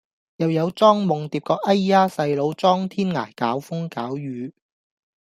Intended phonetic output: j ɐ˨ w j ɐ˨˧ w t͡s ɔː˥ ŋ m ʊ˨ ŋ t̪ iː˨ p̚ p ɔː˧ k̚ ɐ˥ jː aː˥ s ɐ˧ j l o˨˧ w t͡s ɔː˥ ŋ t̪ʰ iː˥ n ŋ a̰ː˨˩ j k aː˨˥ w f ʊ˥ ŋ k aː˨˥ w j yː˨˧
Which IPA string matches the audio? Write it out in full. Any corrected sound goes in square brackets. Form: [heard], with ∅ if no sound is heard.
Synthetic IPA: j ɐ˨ w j ɐ˨˧ w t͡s ɔː˥ ŋ m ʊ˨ ŋ t̪ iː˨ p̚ [k] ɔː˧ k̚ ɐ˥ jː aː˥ s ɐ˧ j l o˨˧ w t͡s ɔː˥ ŋ t̪ʰ iː˥ n ŋ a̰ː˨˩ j k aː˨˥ w f ʊ˥ ŋ k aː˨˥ w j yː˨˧